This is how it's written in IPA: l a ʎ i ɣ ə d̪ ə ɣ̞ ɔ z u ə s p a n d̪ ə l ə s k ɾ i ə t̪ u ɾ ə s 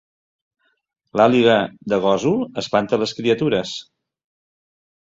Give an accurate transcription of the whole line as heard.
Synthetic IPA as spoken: l a l i ɣ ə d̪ ə ɣ̞ ɔ z u ə s p a n t̪ ə l ə s k ɾ i ə t̪ u ɾ ə s